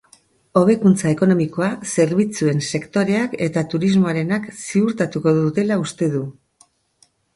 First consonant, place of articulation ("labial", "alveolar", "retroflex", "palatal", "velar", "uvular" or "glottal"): labial